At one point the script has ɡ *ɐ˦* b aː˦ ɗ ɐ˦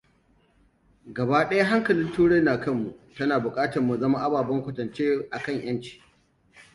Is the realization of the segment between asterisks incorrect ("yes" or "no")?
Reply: yes